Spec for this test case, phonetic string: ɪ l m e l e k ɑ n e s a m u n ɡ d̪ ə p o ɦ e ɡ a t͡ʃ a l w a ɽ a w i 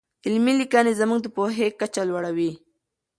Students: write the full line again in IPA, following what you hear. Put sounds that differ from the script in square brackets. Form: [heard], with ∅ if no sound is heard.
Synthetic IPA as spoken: ɪ l m [i] l [i] k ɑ n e [z] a m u [ŋ] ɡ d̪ ə p o ɦ e [k] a t͡ʃ a l w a ɽ a w i